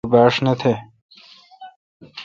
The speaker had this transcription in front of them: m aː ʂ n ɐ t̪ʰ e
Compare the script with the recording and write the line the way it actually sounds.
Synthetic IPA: b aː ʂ n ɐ t̪ʰ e